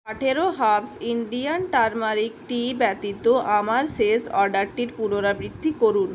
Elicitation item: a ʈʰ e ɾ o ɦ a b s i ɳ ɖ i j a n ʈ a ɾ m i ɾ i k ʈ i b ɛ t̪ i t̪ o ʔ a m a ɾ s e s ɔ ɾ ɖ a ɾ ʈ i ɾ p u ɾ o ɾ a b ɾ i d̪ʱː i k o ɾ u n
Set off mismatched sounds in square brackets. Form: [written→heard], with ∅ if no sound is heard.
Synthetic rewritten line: a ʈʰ e ɾ o ɦ a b s i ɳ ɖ i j a n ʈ a ɾ m [i→a] ɾ i k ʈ i b ɛ t̪ i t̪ o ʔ a m a ɾ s e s ɔ ɾ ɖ a ɾ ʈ i ɾ p u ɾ o ɾ a b ɾ i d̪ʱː i k o ɾ u n